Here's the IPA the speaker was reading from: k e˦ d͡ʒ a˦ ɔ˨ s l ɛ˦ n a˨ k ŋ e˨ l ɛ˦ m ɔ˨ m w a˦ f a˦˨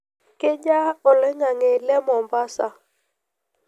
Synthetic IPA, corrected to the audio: k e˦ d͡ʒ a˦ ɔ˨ l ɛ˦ ŋ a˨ ŋ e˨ l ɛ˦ m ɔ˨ m b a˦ s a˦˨